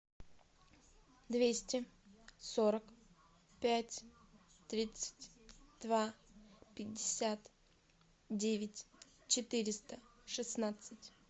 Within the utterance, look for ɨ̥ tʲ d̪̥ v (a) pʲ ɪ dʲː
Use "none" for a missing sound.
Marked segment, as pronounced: a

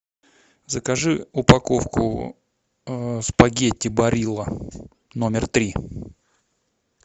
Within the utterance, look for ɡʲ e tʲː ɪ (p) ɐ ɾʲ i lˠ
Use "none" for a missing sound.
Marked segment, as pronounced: b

